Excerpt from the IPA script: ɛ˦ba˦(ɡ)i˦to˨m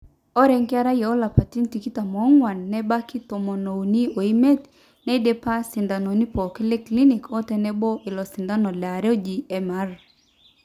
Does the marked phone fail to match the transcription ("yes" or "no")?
yes